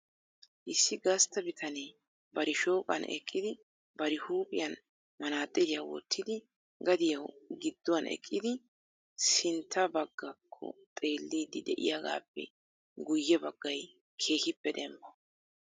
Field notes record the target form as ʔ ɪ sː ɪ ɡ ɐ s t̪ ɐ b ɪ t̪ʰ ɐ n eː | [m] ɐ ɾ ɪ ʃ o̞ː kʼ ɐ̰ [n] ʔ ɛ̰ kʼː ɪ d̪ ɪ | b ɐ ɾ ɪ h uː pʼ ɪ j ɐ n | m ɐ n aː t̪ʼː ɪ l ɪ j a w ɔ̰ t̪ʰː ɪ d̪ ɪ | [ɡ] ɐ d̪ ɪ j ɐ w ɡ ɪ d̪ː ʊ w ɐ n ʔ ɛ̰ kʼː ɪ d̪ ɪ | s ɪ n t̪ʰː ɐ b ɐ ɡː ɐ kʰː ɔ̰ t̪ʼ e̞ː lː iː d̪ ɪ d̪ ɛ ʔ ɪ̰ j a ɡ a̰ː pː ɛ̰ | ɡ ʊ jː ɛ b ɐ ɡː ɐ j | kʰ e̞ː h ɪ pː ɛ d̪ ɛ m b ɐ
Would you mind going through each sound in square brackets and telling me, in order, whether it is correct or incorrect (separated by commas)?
incorrect, correct, correct